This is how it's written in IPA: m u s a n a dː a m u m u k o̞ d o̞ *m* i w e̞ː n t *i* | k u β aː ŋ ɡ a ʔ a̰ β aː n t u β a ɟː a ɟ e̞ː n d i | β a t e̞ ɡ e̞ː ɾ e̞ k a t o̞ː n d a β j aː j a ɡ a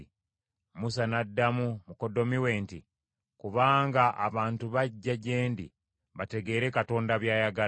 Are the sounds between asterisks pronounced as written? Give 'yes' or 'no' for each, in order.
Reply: yes, yes

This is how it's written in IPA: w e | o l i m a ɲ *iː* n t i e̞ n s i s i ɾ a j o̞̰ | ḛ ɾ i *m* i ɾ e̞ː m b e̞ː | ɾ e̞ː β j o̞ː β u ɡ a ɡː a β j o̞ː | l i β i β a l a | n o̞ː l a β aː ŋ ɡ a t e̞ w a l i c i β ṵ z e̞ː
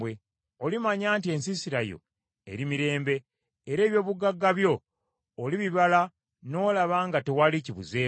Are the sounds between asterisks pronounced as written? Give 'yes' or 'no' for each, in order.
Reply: no, yes

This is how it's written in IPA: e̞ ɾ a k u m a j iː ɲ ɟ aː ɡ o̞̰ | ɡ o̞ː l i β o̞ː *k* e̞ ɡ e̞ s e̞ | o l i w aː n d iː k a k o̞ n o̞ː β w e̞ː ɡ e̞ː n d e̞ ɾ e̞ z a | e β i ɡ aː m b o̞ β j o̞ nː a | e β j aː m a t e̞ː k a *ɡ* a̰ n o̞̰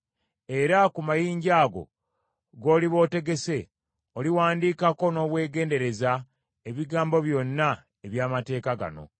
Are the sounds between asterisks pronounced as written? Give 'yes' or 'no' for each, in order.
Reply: no, yes

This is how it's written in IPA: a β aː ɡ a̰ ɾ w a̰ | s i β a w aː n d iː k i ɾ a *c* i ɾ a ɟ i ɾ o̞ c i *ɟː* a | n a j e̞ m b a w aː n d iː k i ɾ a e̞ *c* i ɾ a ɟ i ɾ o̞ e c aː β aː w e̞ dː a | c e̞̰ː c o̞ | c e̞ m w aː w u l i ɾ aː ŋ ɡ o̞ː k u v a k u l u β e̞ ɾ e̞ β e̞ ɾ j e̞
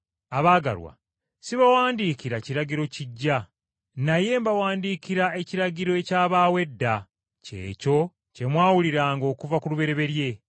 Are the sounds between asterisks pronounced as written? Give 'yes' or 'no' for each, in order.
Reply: yes, yes, yes

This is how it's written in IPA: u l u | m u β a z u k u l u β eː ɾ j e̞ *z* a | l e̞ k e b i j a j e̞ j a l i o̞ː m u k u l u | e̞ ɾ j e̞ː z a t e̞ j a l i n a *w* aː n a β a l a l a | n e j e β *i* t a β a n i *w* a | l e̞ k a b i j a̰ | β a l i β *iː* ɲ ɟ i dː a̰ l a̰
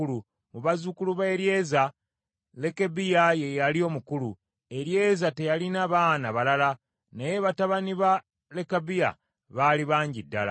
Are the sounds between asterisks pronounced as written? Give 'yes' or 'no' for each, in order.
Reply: yes, no, no, no, no

